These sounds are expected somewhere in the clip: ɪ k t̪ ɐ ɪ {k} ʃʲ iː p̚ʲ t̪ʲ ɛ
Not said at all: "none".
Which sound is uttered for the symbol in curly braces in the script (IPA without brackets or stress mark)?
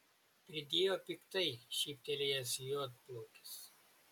none